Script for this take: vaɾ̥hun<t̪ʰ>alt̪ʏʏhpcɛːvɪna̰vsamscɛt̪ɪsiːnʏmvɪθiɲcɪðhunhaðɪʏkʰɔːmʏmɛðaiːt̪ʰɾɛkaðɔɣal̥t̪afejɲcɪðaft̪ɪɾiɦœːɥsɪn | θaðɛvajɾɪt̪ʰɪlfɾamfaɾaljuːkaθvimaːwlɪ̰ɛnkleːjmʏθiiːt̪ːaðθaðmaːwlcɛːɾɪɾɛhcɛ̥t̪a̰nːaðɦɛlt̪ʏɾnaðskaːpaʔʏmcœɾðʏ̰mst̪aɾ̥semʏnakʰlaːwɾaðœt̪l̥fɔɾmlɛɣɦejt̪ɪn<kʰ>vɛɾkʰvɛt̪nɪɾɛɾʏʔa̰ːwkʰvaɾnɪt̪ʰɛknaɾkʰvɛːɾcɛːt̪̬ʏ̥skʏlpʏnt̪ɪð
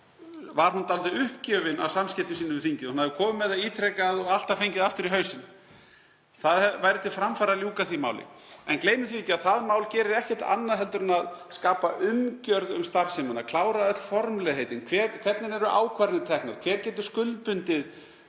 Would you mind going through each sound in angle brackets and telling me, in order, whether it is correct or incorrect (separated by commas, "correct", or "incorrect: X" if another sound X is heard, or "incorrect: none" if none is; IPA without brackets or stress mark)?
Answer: incorrect: t̪, correct